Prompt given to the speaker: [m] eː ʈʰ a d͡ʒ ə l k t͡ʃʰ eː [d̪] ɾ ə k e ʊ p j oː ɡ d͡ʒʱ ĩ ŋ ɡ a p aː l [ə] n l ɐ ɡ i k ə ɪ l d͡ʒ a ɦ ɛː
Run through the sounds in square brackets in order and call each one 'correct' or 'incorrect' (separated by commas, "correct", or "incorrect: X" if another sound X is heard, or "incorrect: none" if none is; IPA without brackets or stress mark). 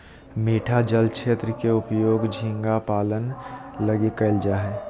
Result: correct, incorrect: t̪, correct